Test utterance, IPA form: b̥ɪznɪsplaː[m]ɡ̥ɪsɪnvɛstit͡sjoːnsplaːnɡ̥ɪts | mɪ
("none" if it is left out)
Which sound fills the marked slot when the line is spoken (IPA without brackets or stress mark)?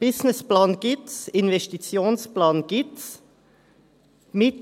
n